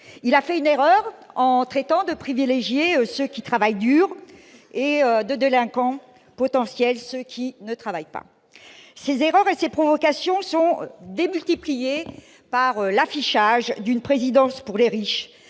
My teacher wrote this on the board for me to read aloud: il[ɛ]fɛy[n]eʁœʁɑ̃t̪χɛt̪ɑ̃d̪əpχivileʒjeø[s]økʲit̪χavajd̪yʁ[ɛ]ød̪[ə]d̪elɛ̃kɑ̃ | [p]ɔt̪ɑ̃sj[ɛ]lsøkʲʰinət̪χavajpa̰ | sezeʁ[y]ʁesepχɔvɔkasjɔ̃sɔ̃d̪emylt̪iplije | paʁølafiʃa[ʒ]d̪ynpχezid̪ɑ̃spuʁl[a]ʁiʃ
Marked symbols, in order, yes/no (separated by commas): no, yes, yes, no, yes, yes, yes, no, yes, no